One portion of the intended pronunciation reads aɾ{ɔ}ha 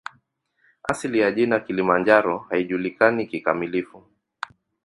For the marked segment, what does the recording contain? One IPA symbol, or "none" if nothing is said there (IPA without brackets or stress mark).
ɔ